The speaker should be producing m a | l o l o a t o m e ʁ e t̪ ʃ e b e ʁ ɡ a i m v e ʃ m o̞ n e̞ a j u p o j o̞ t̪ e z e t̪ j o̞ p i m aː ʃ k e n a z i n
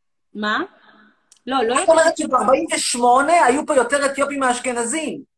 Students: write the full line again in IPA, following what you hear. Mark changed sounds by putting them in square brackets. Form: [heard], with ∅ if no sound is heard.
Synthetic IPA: m a | l o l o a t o m e ʁ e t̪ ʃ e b [a] ʁ [b] a i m v e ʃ m o̞ n e̞ a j u p o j o̞ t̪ e [ʁ] e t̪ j o̞ p i m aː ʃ k e n a z i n